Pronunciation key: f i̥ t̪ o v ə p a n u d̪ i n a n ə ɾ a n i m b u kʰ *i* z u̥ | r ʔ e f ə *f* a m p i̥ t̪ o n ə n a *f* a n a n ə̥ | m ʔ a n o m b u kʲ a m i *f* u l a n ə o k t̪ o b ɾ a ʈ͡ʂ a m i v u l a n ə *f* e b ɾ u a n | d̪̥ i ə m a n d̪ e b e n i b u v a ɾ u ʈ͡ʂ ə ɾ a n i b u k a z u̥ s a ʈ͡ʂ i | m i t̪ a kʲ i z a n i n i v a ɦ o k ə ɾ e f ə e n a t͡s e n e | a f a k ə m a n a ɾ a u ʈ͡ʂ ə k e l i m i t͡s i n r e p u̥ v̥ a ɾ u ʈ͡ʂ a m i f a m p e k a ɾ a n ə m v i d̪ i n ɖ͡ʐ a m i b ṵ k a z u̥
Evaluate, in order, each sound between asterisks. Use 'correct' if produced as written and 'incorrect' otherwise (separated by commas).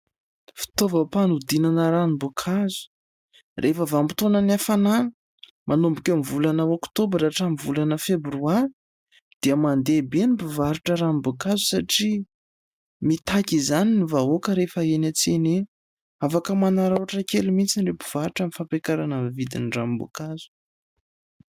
incorrect, incorrect, correct, incorrect, correct